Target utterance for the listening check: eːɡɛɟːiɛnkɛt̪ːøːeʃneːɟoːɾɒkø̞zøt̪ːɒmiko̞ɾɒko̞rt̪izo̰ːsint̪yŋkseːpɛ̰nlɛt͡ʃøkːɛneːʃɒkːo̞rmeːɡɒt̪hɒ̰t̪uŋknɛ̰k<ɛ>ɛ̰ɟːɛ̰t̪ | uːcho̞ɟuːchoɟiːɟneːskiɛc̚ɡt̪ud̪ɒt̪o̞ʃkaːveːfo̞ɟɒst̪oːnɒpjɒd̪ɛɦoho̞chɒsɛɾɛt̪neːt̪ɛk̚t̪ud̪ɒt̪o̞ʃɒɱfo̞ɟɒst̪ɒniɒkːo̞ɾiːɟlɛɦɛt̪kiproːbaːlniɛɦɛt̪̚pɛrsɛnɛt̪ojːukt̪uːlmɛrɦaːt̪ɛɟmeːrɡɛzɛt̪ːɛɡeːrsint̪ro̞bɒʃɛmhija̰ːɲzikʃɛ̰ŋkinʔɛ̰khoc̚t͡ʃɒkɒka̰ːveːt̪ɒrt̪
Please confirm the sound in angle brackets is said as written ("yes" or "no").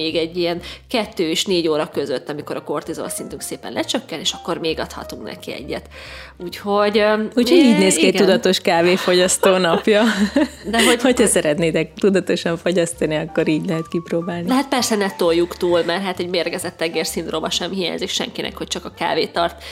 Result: no